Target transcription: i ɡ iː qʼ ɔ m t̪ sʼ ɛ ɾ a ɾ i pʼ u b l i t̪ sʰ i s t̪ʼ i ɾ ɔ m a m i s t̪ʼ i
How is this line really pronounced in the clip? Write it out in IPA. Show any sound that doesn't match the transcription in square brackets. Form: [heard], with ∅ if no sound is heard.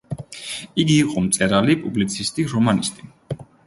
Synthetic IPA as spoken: i ɡ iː qʼ ɔ m t̪ sʼ ɛ ɾ a [l] i pʼ u b l i t̪ sʰ i s t̪ʼ i ɾ ɔ m a [n] i s t̪ʼ i